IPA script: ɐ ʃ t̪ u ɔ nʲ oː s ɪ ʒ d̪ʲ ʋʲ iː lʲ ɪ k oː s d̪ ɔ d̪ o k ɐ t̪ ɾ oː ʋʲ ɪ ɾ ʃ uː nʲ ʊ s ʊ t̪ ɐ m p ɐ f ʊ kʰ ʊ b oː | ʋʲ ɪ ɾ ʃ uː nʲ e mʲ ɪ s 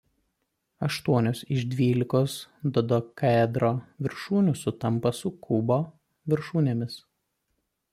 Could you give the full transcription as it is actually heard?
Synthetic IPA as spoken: ɐ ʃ t̪ u ɔ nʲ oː s ɪ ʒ d̪ʲ ʋʲ iː lʲ ɪ k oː s d̪ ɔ d̪ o k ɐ d̪ ɾ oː ʋʲ ɪ ɾ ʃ uː nʲ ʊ s ʊ t̪ ɐ m p ɐ s ʊ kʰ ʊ b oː | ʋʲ ɪ ɾ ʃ uː nʲ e mʲ ɪ s